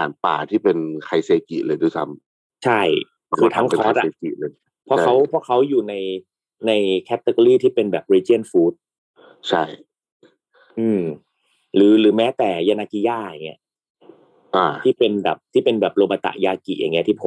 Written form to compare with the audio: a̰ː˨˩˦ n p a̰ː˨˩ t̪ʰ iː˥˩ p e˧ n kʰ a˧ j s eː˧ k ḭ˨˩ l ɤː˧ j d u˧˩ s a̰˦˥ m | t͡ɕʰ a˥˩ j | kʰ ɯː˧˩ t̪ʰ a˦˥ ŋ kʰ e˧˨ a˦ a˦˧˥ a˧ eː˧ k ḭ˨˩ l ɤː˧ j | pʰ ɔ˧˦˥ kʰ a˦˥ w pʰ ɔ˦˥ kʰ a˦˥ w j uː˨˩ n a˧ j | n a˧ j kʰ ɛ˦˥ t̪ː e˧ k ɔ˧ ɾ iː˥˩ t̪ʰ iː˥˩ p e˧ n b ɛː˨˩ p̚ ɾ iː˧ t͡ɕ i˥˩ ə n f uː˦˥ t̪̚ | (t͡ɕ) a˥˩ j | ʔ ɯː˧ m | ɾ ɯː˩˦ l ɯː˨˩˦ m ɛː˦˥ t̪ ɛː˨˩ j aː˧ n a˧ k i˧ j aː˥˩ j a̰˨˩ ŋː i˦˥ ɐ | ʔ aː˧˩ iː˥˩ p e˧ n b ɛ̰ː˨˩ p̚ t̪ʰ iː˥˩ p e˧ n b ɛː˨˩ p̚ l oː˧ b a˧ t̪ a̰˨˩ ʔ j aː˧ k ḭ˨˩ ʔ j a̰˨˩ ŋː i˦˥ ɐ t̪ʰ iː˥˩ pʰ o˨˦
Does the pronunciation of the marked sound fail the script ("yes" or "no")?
yes